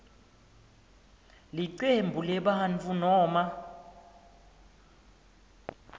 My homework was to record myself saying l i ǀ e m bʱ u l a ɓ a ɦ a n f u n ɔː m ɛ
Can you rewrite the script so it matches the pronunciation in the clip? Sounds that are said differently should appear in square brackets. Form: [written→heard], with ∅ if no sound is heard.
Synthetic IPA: l i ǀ e m bʱ u l [a→ɛ] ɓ a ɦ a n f u n ɔː m [ɛ→a]